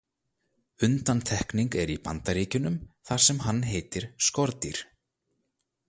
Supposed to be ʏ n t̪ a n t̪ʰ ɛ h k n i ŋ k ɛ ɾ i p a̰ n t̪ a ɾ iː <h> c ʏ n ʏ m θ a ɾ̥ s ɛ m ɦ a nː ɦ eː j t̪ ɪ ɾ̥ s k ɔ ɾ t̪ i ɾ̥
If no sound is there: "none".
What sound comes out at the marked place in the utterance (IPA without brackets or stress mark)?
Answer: none